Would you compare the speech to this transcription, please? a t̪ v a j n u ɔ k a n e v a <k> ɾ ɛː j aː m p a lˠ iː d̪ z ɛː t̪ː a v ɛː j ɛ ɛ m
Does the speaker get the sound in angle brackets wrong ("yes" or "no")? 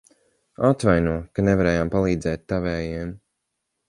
yes